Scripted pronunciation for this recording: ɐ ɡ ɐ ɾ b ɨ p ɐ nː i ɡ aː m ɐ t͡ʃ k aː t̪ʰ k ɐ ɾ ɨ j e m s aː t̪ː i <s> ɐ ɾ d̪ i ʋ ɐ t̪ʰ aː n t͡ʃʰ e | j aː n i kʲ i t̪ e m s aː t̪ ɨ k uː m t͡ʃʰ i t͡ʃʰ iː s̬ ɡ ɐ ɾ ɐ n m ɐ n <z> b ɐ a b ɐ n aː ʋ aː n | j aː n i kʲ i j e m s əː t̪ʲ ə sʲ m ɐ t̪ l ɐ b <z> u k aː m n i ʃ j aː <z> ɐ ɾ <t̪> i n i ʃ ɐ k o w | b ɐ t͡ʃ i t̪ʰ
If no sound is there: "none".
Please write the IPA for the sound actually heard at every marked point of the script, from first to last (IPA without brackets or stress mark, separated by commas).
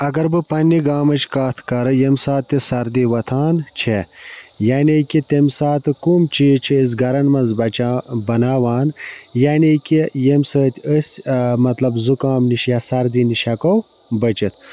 s, z, z, s, d̪